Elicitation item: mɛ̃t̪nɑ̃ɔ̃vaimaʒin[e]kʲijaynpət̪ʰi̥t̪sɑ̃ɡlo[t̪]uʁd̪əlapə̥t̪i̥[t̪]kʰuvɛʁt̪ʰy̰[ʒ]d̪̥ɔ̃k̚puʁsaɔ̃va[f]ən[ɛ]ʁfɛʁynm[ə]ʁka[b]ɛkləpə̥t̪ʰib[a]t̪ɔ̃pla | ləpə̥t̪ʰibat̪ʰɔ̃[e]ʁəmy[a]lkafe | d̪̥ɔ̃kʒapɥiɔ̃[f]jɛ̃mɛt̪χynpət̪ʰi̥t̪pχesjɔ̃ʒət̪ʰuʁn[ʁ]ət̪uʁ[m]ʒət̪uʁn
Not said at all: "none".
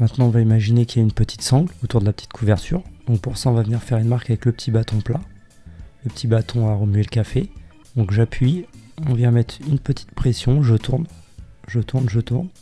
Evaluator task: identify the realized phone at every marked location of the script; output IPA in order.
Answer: e, t̪, t̪, ʁ, v, i, a, v, a, a, e, v, ʒ, n

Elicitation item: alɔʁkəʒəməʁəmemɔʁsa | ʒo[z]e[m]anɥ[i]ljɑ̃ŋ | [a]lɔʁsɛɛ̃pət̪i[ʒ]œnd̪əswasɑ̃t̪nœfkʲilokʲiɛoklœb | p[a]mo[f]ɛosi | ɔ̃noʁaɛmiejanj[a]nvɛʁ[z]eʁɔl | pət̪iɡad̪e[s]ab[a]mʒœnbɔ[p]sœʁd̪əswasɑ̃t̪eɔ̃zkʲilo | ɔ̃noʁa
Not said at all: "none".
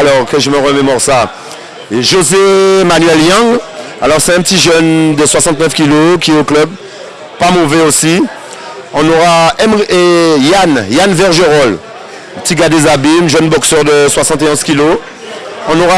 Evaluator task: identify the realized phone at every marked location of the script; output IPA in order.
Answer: z, m, ɛ, a, ʒ, a, v, a, ʒ, z, i, k

